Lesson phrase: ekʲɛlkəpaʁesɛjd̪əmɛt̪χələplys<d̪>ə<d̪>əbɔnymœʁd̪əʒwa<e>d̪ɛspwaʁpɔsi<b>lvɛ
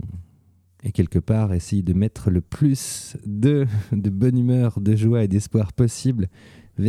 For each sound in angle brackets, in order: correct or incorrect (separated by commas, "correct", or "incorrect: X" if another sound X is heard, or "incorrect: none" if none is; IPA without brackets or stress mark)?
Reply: correct, correct, correct, correct